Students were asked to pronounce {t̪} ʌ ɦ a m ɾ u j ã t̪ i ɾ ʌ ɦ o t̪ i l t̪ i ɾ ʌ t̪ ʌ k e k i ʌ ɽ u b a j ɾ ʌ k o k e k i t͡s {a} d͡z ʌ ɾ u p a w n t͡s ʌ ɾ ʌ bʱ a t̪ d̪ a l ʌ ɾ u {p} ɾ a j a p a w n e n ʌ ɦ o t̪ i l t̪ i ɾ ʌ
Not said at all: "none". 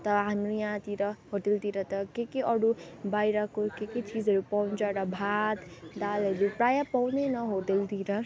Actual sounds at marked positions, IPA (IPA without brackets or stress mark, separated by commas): t̪, i, p